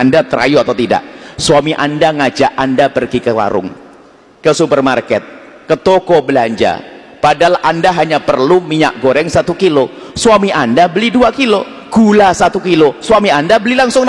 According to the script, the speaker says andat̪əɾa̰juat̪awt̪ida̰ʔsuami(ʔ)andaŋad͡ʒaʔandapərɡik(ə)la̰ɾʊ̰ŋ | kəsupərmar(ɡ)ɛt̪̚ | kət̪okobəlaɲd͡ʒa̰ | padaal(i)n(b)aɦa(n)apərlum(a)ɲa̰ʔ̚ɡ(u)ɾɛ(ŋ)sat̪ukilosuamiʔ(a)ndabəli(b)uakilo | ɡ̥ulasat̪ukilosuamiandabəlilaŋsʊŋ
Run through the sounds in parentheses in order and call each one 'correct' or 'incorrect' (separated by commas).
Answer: correct, correct, incorrect, incorrect, incorrect, incorrect, incorrect, incorrect, correct, correct, incorrect